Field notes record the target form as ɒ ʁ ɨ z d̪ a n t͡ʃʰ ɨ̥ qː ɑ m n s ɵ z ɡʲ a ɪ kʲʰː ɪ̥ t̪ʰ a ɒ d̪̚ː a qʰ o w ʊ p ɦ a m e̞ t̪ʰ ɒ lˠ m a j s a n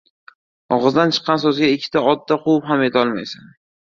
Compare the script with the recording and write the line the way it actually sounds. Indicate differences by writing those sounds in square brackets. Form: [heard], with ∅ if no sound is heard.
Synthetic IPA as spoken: ɒ ʁ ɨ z d̪ a n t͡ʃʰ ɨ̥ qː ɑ [∅] n s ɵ z ɡʲ a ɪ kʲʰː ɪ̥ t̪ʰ a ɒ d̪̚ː a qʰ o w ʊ p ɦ a m e̞ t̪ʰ ɒ lˠ m a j s a n